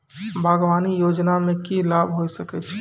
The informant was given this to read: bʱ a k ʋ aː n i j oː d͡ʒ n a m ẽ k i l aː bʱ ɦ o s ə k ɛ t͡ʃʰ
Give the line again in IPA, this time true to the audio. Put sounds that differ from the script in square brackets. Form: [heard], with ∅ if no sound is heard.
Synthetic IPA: bʱ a [ɡ] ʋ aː n i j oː d͡ʒ n a m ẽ k i l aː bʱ ɦ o s ə k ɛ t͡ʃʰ